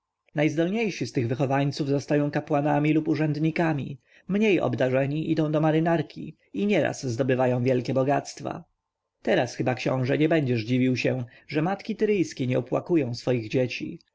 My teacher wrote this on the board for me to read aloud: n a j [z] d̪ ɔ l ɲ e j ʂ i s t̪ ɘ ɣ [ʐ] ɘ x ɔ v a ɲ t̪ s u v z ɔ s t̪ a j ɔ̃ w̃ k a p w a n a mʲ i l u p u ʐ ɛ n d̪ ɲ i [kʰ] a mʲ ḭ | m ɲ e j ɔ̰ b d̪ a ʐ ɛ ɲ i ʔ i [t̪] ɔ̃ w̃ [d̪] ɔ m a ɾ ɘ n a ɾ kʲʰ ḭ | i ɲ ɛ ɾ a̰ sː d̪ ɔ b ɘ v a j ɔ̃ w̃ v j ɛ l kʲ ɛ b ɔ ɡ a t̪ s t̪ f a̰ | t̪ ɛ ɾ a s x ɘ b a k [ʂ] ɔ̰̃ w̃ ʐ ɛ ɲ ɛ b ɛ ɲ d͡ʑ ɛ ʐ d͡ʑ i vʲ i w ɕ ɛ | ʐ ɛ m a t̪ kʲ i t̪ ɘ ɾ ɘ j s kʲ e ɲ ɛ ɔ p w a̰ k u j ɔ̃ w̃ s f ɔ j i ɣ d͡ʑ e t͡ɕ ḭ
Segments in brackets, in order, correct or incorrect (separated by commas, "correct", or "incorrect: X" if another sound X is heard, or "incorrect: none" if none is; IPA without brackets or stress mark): correct, incorrect: v, incorrect: k, incorrect: d̪, correct, incorrect: ɕ